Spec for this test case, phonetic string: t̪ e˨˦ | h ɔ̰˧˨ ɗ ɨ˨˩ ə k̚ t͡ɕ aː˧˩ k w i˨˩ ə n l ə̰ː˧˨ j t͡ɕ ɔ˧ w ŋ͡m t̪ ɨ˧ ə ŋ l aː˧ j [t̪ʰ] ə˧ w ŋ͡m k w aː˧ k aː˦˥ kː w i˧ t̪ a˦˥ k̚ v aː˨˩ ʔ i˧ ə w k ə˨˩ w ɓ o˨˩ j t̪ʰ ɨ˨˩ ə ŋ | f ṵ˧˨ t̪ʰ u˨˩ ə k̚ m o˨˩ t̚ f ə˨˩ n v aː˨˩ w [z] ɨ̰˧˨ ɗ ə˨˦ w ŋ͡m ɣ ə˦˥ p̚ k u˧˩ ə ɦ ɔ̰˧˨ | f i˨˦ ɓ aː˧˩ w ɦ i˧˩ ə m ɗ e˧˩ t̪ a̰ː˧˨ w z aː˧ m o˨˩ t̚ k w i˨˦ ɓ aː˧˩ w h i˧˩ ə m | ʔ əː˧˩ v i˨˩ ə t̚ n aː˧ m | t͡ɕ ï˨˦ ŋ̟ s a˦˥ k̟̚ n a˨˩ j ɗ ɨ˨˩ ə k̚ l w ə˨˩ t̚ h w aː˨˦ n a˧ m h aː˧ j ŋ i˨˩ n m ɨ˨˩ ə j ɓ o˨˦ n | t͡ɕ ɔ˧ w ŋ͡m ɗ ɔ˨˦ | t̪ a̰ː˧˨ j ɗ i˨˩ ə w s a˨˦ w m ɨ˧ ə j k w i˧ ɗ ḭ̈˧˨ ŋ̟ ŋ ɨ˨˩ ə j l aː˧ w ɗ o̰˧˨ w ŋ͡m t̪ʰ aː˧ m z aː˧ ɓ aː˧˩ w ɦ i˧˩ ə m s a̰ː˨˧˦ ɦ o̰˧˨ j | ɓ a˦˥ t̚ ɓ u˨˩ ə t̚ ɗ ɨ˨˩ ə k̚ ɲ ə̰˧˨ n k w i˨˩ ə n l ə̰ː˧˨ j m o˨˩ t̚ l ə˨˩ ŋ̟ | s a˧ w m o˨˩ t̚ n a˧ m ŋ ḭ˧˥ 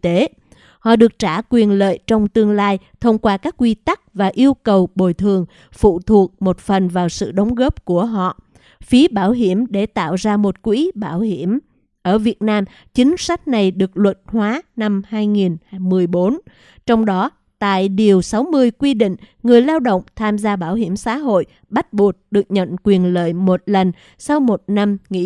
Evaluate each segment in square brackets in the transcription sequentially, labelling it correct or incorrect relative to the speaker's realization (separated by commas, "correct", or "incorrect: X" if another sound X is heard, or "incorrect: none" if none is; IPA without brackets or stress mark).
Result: correct, incorrect: s